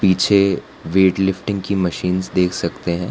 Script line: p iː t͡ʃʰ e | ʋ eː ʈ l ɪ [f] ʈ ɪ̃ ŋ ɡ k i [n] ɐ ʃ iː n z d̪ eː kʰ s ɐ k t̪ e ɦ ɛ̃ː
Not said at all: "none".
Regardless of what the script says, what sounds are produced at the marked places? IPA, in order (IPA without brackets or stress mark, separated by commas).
f, m